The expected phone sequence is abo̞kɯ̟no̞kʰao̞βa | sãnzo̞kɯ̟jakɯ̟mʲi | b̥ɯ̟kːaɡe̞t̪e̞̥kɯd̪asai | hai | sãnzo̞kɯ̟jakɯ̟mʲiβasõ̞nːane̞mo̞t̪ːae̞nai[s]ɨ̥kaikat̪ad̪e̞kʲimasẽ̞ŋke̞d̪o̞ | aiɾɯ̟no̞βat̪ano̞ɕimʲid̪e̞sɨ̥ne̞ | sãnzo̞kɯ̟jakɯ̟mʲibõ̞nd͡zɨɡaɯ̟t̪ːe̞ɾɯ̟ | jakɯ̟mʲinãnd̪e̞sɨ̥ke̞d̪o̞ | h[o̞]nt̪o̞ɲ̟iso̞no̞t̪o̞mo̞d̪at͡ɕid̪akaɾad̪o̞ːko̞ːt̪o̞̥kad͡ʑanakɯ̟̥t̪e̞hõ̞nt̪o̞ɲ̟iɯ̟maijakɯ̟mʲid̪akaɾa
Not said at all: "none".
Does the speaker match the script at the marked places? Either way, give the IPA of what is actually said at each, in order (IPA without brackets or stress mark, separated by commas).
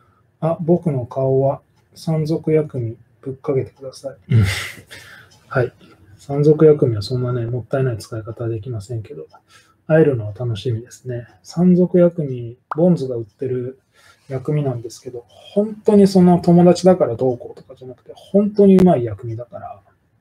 t͡s, õ̞